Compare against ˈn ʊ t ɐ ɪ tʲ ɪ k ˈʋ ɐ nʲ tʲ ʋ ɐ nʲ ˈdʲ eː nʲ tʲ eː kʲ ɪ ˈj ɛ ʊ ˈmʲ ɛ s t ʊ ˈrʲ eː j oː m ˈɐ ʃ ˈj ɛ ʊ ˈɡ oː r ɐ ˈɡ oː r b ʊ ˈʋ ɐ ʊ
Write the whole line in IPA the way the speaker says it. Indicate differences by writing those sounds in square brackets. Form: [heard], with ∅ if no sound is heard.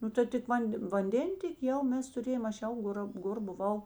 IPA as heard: ˈn ʊ t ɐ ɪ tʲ ɪ k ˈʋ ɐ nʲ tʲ ʋ ɐ nʲ ˈdʲ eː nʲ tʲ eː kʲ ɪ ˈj ɛ ʊ ˈmʲ ɛ s t ʊ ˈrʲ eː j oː m ˈɐ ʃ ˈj ɛ ʊ ˈɡ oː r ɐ ˈɡ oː r b ʊ ˈʋ ɐ ʊ